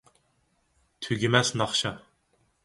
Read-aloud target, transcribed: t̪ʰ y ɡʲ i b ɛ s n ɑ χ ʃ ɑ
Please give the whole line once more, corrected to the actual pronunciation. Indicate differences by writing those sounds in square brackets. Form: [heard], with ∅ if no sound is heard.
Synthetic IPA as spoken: t̪ʰ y ɡʲ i [m] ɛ s n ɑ χ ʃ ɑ